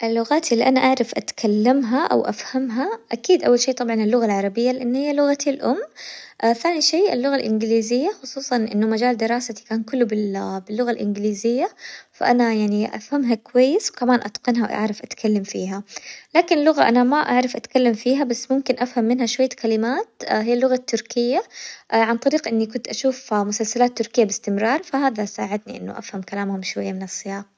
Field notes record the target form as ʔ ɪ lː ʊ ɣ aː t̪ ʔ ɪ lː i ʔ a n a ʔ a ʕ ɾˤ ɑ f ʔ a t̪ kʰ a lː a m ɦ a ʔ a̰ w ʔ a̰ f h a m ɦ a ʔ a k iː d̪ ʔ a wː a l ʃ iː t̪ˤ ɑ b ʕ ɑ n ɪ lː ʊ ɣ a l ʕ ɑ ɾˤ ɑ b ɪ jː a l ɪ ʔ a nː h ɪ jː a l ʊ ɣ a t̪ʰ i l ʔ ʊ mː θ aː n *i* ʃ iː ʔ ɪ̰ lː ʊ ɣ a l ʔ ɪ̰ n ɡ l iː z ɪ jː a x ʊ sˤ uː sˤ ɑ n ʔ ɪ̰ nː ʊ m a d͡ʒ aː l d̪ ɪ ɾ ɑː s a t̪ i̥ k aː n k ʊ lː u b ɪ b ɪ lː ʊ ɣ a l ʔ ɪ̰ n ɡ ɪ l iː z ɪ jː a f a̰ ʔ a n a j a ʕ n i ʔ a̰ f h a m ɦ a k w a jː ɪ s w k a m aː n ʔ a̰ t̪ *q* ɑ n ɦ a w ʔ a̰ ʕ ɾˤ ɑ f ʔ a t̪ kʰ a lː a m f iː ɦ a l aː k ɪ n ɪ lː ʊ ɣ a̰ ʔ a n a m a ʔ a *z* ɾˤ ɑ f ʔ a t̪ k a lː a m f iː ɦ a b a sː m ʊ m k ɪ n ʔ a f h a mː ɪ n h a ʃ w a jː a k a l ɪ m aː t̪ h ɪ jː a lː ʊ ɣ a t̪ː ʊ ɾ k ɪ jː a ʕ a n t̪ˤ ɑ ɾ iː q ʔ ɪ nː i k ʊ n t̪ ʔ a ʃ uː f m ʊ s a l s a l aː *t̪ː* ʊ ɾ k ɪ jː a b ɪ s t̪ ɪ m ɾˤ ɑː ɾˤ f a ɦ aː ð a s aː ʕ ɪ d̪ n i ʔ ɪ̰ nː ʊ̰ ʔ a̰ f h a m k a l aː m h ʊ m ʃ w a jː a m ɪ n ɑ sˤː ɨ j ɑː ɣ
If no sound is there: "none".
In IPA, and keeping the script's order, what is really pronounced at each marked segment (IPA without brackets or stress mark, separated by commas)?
i, q, ʕ, t̪ː